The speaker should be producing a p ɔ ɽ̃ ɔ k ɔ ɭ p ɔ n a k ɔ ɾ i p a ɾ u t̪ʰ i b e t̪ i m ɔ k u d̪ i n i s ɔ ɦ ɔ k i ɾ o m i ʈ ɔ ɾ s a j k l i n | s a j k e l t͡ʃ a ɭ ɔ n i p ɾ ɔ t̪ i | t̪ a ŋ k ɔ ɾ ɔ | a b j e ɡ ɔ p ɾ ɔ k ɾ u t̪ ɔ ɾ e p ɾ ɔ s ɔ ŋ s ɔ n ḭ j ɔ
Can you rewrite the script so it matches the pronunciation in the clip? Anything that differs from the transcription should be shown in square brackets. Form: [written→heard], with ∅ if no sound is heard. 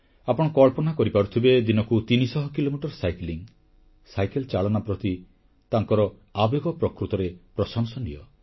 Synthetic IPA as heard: a p ɔ ɽ̃ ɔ k ɔ ɭ p ɔ n a k ɔ ɾ i p a ɾ u t̪ʰ i b e [t̪→d̪] i [m→n] ɔ k u [d̪→t̪] i n i s ɔ ɦ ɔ k i [ɾ→l] o m i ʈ ɔ ɾ s a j k l i [n→ŋ] | s a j k e l t͡ʃ a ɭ ɔ n [i→a] p ɾ ɔ t̪ i | t̪ a ŋ k ɔ ɾ ɔ | a b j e ɡ ɔ p ɾ ɔ k ɾ u t̪ ɔ ɾ e p ɾ ɔ s ɔ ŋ s ɔ n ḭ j ɔ